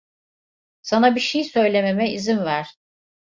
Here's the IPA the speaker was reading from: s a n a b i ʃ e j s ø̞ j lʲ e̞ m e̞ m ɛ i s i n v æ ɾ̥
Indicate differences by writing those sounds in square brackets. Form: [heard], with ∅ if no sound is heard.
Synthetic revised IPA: s a n a b i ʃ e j s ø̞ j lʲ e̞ m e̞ m ɛ i [z] i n v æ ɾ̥